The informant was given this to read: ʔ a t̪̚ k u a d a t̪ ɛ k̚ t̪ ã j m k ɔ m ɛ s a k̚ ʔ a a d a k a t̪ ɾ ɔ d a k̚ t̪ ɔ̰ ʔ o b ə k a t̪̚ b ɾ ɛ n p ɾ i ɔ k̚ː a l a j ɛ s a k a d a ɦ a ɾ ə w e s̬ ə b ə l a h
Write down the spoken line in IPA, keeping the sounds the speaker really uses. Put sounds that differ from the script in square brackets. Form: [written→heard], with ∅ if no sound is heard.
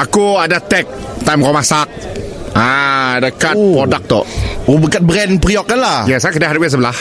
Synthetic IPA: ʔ a [t̪̚→∅] k u a d a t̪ ɛ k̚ t̪ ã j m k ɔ m [ɛ→a] s a k̚ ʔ a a d a k a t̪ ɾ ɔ d a k̚ t̪ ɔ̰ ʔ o b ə k a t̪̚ b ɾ ɛ n p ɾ i ɔ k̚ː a l a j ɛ s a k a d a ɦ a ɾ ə w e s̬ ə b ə l a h